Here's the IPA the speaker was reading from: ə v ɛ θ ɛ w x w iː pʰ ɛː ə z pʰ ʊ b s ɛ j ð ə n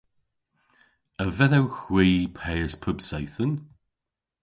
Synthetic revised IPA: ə v ɛ ð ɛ w x w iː pʰ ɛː ə s pʰ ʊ b s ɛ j θ ə n